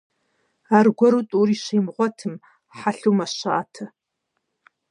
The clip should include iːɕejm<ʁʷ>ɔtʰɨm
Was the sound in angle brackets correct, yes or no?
yes